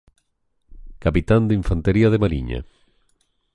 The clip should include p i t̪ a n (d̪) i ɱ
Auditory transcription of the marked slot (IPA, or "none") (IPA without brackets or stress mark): d̪